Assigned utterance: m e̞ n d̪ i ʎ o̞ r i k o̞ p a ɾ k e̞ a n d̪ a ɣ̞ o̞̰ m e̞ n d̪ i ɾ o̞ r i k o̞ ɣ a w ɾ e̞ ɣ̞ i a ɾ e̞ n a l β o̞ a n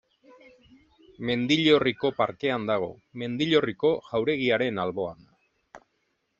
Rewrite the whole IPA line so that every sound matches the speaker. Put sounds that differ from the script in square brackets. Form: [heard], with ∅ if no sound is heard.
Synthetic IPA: m e̞ n d̪ i ʎ o̞ r i k o̞ p a ɾ k e̞ a n d̪ a ɣ̞ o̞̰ m e̞ n d̪ i [ʎ] o̞ r i k o̞ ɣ a w ɾ e̞ ɣ̞ i a ɾ e̞ n a l β o̞ a n

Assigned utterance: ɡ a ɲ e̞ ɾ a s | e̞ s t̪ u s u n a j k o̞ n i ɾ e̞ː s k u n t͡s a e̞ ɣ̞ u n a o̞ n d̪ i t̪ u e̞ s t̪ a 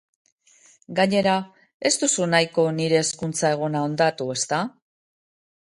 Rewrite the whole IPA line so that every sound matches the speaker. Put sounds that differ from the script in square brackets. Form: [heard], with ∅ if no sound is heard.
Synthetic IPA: ɡ a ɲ e̞ ɾ a [∅] | e̞ s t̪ u s u n a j k o̞ n i ɾ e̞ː s k u n t͡s a e̞ ɣ̞ [o] n a o̞ n d̪ [a] t̪ u e̞ s t̪ a

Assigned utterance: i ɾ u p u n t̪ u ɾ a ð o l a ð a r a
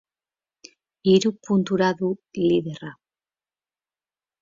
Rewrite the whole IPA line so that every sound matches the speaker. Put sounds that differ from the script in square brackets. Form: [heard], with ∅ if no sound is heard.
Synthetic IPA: i ɾ u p u n t̪ u ɾ a ð [u] l [i] ð [e] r a

